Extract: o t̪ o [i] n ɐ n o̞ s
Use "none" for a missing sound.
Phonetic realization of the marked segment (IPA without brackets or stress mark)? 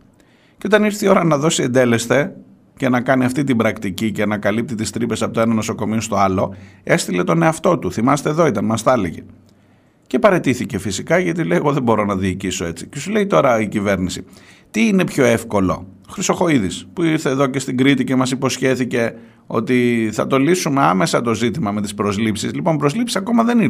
e